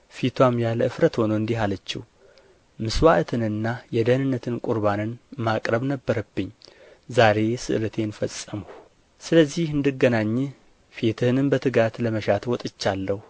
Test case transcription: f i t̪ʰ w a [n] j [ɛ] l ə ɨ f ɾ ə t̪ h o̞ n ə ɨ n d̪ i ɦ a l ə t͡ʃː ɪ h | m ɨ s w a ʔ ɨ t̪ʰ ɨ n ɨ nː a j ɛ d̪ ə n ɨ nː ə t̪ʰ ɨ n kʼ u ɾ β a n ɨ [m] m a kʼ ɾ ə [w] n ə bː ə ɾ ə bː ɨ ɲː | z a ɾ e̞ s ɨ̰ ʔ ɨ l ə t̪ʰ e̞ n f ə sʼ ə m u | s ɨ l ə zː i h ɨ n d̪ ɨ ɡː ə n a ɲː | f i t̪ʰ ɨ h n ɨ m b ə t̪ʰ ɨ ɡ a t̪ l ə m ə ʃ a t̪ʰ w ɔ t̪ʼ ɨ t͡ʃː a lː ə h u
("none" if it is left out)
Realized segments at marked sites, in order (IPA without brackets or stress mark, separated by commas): m, a, n, β